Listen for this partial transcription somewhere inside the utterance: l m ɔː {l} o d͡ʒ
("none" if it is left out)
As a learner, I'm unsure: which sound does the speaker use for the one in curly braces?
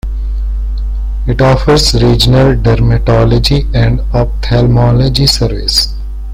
l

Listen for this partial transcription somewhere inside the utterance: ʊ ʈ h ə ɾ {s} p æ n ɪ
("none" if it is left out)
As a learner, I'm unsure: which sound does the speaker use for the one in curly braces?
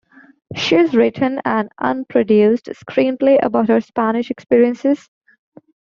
s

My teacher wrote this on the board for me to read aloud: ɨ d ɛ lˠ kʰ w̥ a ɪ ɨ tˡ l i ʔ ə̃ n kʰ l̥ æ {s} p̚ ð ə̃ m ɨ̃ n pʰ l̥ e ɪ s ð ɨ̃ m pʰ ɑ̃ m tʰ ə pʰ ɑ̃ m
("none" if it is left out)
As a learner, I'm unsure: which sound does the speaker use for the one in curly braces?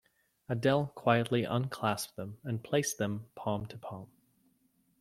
s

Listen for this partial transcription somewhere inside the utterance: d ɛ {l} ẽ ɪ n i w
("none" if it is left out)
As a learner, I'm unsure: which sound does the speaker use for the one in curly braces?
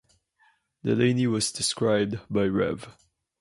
l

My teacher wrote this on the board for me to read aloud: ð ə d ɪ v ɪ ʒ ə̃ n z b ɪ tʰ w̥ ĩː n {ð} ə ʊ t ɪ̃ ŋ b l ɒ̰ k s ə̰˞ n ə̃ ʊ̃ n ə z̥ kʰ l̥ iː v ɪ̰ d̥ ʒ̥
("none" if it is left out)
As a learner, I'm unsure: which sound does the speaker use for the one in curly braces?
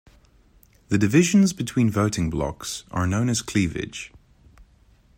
v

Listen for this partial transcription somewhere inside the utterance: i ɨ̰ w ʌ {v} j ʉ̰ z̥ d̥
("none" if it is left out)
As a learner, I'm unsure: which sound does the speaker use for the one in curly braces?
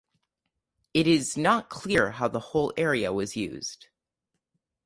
z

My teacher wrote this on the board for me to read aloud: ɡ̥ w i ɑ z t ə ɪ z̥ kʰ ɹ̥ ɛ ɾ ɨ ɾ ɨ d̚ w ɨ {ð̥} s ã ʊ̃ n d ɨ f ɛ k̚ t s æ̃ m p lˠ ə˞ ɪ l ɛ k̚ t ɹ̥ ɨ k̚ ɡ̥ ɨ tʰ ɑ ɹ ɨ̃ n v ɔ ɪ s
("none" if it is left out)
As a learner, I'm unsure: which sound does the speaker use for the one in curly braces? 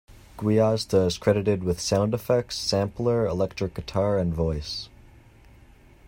ð̥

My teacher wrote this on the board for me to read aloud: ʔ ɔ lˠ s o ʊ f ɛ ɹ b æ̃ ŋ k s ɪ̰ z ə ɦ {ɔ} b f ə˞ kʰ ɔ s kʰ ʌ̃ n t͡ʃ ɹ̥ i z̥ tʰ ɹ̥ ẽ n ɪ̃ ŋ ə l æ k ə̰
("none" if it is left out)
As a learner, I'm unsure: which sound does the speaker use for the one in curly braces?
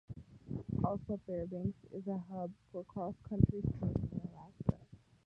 ʌ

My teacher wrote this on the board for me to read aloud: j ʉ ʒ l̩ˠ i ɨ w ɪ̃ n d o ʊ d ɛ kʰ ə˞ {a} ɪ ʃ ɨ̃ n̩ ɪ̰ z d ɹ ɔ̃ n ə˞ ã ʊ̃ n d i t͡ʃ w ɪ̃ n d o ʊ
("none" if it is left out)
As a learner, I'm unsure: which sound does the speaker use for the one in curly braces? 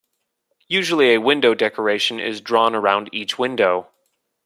e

